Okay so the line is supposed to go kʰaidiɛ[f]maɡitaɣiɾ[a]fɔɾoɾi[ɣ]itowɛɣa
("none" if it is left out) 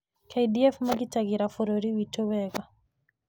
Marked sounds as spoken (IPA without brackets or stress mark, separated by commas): f, a, w